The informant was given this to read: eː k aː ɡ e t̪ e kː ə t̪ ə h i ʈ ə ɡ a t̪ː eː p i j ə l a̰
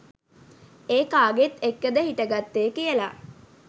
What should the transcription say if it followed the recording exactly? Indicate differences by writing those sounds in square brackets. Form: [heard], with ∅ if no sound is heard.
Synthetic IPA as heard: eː k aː ɡ e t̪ e kː ə [d̪] ə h i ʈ ə ɡ a t̪ː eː [k] i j ə l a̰

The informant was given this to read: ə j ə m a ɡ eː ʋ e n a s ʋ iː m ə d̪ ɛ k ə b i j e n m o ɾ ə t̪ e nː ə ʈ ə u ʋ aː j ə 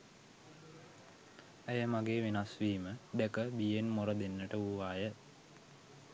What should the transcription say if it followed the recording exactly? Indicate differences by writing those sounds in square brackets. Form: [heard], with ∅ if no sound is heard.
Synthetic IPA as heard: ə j ə m a ɡ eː ʋ e n a s ʋ iː m ə d̪ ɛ k ə b i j e n m o ɾ ə [d̪] e nː ə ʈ ə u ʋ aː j ə

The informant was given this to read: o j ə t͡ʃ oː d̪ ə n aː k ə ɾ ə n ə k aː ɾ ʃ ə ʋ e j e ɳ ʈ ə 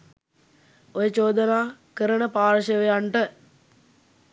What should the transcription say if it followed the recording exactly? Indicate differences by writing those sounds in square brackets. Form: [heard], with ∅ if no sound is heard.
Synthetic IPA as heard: o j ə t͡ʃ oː d̪ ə n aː k ə ɾ ə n ə [p] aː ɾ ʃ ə ʋ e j [a] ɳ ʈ ə

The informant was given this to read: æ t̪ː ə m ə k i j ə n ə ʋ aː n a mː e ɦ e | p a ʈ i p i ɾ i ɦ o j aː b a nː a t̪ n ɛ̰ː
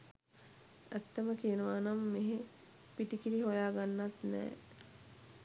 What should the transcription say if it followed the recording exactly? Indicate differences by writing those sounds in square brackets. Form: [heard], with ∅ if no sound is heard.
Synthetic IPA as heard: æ t̪ː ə m ə k i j ə n ə ʋ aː n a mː e ɦ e | p [i] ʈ i [k] i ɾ i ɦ o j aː [ɡ] a nː a t̪ n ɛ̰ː

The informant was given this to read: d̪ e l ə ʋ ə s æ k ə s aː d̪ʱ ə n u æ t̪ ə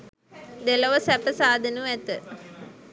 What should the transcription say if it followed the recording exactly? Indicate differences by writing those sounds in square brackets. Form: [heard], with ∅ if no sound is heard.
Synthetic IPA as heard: d̪ e l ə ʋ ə s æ [p] ə s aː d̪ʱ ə n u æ t̪ ə

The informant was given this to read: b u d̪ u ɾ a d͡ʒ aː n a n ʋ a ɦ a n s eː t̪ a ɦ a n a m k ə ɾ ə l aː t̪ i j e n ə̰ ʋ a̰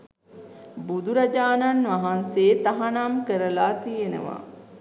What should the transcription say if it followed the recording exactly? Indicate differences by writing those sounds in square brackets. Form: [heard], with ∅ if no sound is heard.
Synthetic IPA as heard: b u d̪ u ɾ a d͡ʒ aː n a n ʋ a ɦ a n s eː t̪ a ɦ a n a m k ə ɾ ə l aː t̪ i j e n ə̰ ʋ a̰

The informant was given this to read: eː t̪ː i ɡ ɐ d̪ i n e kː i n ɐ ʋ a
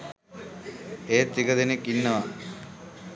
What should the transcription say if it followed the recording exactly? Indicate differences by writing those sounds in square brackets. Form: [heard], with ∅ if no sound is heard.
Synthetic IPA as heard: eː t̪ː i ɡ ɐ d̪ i n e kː i [nː] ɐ ʋ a

